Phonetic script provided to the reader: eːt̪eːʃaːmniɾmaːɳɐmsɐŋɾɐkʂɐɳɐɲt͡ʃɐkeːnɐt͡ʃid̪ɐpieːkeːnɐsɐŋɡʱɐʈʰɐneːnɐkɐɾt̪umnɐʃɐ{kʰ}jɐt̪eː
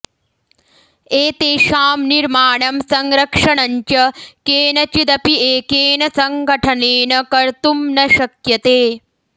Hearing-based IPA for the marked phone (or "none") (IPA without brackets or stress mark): k